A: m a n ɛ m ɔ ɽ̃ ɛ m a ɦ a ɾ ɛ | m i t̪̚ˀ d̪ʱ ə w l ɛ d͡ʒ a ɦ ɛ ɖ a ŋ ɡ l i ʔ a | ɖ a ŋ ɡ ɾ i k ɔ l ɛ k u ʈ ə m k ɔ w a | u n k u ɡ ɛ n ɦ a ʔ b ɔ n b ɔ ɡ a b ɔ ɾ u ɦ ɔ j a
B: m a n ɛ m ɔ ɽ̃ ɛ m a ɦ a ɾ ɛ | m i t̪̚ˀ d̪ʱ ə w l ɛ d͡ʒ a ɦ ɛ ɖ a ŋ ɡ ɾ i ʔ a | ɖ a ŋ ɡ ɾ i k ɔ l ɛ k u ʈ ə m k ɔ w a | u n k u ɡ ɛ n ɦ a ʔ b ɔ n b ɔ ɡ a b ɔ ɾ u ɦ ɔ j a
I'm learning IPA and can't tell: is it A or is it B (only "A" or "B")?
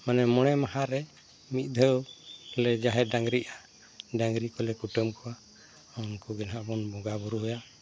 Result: B